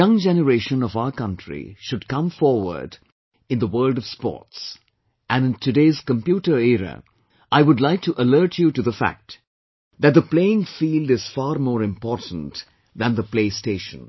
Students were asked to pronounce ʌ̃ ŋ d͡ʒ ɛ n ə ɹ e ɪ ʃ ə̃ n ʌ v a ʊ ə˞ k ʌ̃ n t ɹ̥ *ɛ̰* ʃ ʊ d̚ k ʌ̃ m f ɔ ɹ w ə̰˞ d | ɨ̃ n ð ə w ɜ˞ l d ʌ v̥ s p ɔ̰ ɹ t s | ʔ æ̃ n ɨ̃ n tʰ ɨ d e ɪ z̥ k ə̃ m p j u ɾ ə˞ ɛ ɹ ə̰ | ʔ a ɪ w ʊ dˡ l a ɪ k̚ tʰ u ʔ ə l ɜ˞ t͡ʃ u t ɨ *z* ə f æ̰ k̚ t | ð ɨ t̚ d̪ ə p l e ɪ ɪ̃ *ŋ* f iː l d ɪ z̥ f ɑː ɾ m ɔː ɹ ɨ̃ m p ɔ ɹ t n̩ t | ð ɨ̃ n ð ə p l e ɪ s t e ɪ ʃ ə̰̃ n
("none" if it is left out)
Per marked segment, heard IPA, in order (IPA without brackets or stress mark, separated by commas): ḭ, ð, ŋ